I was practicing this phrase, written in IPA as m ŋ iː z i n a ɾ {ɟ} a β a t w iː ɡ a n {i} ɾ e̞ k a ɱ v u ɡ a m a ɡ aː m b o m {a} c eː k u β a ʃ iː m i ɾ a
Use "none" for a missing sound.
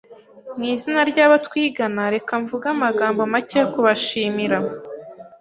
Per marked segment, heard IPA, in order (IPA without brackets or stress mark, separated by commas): ɟ, a, a